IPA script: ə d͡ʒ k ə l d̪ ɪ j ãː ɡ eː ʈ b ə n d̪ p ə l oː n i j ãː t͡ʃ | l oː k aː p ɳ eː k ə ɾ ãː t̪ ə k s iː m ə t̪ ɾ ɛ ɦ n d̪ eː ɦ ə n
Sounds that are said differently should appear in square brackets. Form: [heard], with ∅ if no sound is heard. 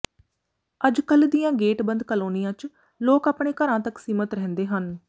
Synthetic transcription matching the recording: ə d͡ʒ k ə l d̪ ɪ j ãː ɡ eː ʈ b ə n d̪ [k] ə l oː n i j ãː t͡ʃ | l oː k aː p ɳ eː k ə ɾ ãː t̪ ə k s iː m ə t̪ ɾ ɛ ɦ n d̪ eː ɦ ə n